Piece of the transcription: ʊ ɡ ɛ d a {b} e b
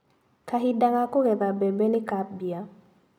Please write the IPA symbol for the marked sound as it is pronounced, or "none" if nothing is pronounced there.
b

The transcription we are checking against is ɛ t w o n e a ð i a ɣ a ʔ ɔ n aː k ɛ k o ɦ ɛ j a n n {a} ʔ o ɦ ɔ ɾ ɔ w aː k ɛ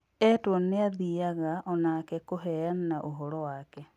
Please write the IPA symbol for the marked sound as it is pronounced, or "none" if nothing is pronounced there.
a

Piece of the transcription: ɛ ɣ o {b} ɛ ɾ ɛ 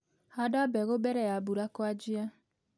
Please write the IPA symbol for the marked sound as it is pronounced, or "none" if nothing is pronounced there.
b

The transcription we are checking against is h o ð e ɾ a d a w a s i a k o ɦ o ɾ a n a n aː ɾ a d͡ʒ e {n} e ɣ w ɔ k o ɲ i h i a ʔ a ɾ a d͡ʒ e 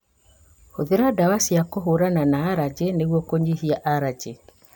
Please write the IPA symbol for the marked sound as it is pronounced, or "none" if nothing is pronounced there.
n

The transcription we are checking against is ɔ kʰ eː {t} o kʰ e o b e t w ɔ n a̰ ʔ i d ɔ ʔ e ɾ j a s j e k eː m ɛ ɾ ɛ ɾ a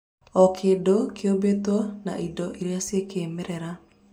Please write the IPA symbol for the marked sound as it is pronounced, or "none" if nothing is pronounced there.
d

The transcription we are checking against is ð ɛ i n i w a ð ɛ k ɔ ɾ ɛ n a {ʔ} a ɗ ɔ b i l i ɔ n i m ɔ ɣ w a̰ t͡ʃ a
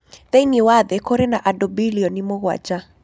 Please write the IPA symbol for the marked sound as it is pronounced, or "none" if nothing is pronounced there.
ʔ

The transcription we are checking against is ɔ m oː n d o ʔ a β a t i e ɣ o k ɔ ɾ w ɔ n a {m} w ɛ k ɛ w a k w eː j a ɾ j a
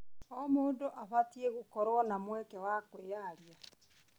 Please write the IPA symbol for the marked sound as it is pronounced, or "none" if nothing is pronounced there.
m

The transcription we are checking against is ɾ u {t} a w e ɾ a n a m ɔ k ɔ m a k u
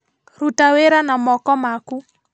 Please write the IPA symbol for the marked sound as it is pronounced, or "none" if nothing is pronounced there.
t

